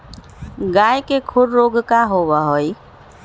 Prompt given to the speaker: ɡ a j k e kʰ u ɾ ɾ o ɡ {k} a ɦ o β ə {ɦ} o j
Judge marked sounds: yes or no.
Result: yes, yes

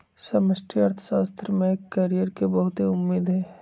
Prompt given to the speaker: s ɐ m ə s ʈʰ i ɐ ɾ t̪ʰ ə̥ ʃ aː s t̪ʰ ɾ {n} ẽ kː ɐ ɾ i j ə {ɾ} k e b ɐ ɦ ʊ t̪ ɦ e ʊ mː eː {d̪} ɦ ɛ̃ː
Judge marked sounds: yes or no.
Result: no, yes, yes

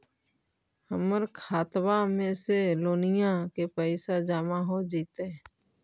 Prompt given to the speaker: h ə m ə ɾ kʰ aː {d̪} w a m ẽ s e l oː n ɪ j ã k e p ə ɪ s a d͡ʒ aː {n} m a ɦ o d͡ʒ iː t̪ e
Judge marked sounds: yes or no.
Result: no, no

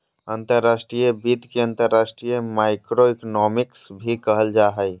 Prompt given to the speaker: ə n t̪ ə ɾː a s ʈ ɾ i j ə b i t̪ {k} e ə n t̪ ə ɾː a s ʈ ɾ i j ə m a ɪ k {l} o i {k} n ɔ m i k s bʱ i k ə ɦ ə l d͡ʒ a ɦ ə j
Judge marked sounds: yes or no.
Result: yes, no, yes

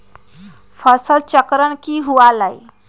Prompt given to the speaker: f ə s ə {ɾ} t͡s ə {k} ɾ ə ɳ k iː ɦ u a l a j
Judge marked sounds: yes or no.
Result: no, yes

